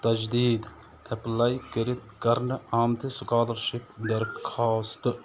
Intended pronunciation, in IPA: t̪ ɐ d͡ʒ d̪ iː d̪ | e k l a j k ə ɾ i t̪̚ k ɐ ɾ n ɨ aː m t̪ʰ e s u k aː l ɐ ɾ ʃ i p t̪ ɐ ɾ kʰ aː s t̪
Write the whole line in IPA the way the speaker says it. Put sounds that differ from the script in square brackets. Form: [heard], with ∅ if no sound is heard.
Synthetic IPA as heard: t̪ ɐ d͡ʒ d̪ iː d̪ | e [p] l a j k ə ɾ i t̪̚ k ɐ ɾ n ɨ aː m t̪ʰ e s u k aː l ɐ ɾ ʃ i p [d̪] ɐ ɾ kʰ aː s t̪